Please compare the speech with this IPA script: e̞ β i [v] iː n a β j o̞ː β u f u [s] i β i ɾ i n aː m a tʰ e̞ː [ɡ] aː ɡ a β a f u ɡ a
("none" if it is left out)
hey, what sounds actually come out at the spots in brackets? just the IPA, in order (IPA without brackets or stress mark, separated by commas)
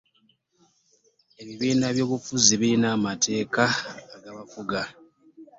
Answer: β, z, k